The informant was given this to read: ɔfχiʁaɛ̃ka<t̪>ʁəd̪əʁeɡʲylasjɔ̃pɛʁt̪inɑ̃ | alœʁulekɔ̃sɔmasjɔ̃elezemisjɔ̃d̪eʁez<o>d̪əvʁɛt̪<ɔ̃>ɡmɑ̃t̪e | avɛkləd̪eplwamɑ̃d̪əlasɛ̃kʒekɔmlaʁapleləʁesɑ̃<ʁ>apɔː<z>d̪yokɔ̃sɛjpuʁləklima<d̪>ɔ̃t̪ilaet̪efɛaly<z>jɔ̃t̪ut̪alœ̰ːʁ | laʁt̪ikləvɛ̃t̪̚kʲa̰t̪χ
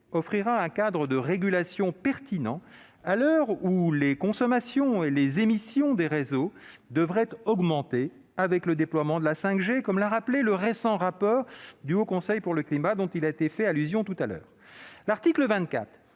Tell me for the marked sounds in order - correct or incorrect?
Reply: incorrect, correct, incorrect, correct, incorrect, correct, correct

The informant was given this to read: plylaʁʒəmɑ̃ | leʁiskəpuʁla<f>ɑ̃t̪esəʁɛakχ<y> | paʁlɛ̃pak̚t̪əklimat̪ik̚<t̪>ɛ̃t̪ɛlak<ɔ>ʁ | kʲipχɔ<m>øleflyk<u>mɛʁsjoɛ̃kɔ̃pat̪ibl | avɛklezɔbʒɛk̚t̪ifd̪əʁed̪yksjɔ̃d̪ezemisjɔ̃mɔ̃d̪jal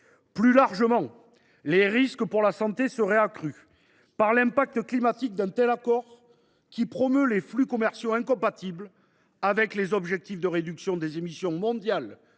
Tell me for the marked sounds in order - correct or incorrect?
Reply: incorrect, correct, incorrect, correct, correct, incorrect

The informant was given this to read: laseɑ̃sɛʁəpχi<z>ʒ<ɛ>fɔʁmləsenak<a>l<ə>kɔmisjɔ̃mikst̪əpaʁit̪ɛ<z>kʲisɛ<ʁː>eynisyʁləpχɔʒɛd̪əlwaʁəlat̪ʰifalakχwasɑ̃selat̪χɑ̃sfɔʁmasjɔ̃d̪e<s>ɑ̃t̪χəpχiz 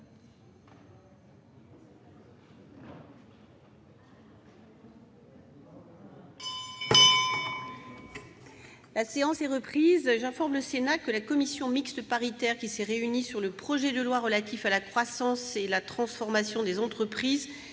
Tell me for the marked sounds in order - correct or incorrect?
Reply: correct, incorrect, incorrect, incorrect, incorrect, incorrect, incorrect

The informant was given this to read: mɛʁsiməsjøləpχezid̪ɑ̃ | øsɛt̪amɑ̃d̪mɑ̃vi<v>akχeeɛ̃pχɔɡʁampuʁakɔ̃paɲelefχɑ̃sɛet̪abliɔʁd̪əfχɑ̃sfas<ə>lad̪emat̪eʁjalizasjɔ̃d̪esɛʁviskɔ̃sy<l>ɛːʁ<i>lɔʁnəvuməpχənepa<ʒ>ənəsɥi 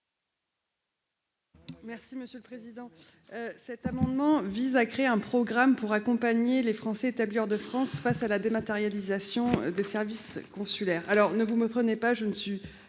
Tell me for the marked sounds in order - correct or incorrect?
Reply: incorrect, incorrect, correct, incorrect, correct

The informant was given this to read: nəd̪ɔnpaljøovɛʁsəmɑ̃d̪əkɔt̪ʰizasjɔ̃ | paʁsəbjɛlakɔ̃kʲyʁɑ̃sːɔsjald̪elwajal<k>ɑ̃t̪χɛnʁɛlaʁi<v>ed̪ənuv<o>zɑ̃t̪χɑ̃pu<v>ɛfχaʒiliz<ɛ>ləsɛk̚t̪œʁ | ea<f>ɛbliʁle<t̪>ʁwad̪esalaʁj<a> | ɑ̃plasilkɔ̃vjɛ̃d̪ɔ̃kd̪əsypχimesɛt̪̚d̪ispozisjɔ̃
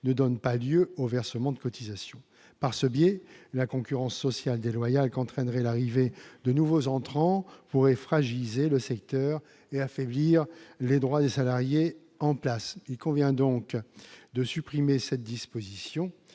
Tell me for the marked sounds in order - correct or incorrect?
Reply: correct, correct, correct, incorrect, incorrect, correct, incorrect, incorrect

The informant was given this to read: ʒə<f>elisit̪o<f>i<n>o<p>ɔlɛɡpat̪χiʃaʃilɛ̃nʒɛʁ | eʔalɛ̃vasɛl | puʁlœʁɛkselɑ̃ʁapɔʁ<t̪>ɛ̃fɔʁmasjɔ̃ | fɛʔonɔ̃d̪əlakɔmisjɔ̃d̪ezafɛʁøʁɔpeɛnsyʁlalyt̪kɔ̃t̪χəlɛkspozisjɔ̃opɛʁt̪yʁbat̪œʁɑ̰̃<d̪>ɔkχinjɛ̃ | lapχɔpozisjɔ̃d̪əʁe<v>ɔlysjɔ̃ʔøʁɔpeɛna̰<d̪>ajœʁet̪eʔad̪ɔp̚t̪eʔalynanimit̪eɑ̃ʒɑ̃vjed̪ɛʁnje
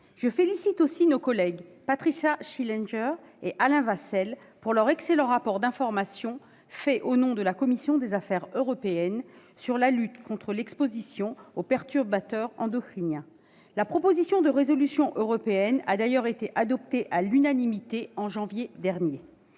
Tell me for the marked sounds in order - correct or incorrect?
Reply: correct, incorrect, correct, incorrect, incorrect, correct, incorrect, correct

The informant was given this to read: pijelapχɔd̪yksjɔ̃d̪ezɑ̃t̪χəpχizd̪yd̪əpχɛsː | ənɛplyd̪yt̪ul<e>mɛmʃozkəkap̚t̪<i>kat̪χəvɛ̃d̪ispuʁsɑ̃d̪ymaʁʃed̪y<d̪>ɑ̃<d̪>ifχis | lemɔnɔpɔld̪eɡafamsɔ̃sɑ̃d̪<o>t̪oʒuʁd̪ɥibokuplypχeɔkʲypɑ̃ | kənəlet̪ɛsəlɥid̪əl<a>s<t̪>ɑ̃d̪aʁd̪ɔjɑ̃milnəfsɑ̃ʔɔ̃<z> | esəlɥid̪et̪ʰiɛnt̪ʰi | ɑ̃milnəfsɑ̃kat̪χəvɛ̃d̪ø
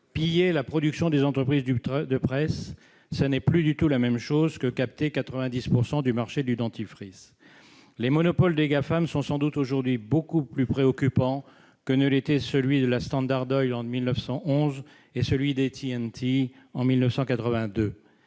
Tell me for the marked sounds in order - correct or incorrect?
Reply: incorrect, incorrect, correct, incorrect, incorrect, correct, correct, correct

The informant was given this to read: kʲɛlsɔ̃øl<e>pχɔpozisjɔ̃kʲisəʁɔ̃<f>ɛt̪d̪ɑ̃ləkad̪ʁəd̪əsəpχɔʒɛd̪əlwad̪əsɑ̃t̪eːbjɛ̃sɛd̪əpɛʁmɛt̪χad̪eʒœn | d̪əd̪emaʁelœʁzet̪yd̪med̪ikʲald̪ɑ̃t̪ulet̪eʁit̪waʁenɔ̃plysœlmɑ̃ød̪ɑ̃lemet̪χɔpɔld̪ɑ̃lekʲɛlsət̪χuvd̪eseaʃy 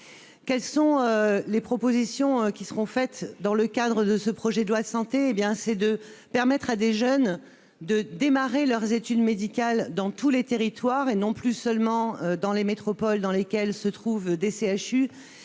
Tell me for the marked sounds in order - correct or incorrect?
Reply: correct, correct

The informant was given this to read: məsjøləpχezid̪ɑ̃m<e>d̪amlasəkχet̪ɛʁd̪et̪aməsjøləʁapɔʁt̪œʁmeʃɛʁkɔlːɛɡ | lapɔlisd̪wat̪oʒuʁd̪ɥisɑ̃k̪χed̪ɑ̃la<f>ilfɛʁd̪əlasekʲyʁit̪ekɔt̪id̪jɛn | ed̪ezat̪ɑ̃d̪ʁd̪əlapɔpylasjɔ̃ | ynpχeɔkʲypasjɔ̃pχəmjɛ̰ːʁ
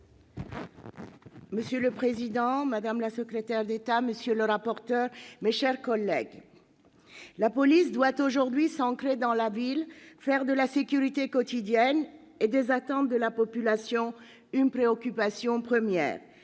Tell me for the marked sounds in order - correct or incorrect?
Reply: incorrect, incorrect

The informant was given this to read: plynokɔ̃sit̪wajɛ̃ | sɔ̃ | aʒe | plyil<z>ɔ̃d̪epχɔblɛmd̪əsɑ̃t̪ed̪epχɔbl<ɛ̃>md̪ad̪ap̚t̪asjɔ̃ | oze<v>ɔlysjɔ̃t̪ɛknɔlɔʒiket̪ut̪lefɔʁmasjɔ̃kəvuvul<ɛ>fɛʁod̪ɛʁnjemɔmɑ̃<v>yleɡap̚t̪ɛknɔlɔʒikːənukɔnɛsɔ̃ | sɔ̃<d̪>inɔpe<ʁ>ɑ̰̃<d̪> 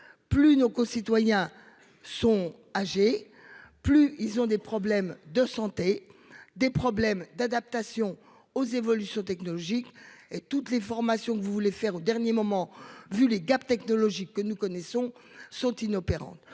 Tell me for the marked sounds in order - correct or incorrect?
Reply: correct, incorrect, correct, incorrect, correct, incorrect, correct, incorrect

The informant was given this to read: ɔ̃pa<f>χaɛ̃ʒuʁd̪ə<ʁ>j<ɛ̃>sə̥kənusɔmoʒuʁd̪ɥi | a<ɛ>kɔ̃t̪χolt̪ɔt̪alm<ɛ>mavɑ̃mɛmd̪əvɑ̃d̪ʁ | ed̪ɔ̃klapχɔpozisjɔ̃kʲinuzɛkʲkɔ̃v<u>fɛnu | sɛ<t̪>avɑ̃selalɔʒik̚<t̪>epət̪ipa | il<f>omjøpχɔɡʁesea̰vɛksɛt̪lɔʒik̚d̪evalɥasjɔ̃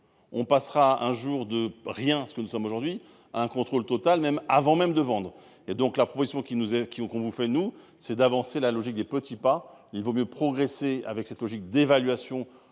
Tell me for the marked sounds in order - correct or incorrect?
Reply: incorrect, correct, correct, incorrect, correct, correct, incorrect, incorrect, incorrect

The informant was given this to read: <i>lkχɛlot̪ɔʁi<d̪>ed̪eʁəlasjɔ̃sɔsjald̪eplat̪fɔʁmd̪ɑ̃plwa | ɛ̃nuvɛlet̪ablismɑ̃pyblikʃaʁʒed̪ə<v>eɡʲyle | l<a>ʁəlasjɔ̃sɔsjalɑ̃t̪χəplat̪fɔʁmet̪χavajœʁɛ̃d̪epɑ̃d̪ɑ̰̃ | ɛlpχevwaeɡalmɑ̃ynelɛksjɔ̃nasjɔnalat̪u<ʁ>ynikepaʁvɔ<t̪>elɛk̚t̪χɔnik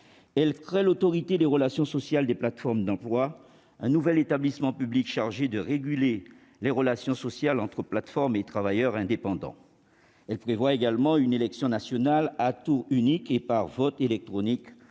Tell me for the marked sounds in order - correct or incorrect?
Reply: incorrect, incorrect, incorrect, incorrect, correct, correct

